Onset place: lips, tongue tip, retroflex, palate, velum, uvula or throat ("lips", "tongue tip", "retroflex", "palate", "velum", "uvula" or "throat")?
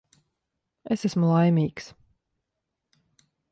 tongue tip